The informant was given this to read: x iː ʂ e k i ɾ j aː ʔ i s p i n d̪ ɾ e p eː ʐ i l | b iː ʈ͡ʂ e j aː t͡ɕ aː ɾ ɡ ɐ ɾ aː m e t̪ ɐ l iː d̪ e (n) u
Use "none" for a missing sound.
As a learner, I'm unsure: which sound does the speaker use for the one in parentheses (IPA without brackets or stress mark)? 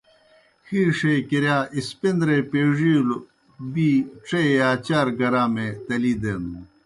n